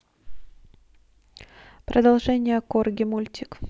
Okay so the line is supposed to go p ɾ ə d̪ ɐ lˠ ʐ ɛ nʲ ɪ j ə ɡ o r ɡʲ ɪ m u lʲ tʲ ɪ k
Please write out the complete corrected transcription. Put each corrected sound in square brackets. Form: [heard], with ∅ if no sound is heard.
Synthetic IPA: p ɾ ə d̪ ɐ lˠ ʐ ɛ nʲ ɪ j ə [k] o r ɡʲ ɪ m u lʲ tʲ ɪ k